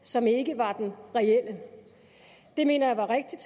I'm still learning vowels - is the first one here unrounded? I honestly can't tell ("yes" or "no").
no